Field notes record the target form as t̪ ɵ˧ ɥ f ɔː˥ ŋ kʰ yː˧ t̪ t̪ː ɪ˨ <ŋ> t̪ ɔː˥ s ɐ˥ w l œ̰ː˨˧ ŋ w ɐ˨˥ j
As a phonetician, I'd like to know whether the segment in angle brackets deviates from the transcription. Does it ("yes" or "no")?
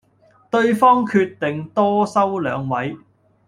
no